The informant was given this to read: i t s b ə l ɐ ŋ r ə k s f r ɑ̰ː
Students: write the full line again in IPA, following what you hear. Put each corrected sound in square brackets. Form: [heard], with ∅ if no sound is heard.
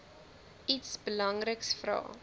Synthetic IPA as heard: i t s b ə l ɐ ŋ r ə k s f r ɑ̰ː